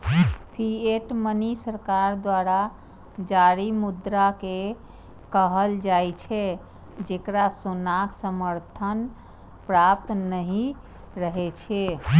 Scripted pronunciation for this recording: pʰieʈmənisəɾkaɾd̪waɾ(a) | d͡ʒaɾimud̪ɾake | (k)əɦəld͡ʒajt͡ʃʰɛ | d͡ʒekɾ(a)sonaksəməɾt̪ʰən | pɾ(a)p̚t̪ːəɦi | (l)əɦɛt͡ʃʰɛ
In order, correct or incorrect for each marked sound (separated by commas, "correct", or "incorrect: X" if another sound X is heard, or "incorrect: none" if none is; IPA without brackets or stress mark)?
correct, correct, correct, correct, incorrect: ɾ